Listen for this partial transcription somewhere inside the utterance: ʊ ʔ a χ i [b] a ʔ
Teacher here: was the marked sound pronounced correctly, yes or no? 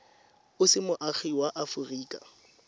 no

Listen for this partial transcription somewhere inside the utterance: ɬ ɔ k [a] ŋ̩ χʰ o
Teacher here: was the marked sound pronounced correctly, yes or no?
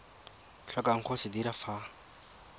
yes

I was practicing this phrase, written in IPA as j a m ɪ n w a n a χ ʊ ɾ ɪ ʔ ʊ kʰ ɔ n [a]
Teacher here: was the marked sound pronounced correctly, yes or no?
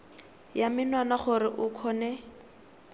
no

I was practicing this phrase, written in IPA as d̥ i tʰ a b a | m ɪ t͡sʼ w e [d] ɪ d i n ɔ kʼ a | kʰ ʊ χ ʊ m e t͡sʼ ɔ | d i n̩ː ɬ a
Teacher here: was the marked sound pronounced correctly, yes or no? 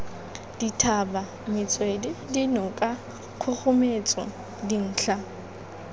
yes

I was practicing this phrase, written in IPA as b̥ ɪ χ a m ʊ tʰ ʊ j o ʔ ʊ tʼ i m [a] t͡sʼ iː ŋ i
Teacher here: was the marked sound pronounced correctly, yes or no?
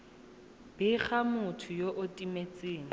no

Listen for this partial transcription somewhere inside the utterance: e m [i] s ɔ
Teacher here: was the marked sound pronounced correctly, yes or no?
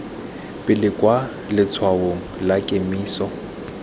no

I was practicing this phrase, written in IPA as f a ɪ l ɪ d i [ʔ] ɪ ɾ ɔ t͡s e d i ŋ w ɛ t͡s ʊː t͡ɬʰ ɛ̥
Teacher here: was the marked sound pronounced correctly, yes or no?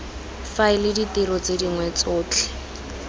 no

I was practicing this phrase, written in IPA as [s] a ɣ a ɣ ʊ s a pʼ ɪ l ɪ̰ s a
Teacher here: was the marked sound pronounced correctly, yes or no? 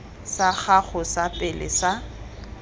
yes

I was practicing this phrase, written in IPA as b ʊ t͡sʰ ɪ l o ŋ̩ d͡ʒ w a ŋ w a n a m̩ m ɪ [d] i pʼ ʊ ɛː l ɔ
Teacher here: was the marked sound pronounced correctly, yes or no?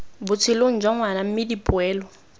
yes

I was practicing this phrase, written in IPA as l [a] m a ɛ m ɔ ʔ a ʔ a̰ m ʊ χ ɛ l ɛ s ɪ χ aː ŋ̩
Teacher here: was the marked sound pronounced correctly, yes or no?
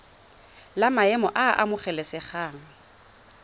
yes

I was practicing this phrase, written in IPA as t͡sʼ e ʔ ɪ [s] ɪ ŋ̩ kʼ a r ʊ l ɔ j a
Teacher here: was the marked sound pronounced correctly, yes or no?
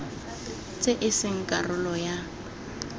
yes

